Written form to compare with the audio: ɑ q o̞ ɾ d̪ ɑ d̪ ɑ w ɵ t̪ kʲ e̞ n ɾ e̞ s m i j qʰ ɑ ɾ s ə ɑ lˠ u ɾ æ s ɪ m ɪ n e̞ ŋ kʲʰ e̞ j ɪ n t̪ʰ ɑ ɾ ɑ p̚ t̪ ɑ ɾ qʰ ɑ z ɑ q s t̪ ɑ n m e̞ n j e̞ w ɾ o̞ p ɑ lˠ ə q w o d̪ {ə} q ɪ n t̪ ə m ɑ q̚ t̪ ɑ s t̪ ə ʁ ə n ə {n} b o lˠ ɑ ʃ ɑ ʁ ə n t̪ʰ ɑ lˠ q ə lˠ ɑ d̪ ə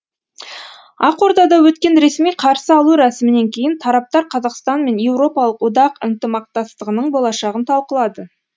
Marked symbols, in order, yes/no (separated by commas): no, no